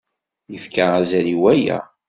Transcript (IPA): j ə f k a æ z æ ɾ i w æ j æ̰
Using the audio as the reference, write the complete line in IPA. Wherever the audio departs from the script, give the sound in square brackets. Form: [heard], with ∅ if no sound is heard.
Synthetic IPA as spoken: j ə f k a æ z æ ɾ i w æ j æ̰